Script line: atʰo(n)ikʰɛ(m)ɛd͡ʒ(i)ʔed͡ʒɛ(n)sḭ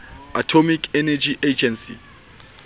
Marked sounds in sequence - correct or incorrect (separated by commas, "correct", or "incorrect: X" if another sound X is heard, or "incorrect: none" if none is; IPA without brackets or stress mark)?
incorrect: m, incorrect: n, correct, correct